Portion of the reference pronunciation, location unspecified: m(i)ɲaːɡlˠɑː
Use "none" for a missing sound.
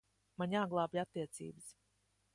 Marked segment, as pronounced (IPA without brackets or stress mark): a